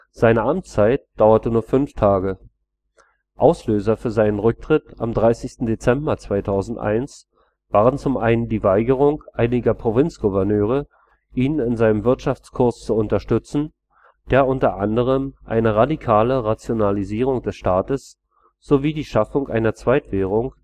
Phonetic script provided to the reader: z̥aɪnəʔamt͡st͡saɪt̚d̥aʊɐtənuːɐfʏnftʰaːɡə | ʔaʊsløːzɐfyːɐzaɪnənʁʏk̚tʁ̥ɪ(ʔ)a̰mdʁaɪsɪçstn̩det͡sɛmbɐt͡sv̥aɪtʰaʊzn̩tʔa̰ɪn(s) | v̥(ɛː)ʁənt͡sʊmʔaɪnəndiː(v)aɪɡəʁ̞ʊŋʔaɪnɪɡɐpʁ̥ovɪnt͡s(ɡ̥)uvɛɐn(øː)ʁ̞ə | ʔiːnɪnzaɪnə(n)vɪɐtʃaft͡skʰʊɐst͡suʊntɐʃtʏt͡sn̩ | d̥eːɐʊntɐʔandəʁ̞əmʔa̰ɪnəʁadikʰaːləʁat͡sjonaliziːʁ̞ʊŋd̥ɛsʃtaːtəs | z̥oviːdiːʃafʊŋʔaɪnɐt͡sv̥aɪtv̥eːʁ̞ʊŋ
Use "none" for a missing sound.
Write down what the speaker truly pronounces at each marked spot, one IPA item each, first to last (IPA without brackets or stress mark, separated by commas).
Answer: t, s, aː, v, ɡ̥, øː, m